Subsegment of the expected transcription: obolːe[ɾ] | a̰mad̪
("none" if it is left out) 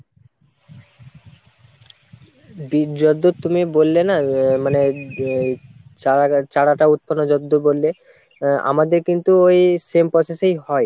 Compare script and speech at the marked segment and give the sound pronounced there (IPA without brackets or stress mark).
none